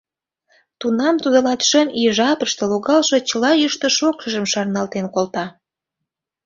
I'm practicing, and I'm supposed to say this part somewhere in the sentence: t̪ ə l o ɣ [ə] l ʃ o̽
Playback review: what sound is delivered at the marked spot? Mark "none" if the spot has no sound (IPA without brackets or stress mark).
ɑ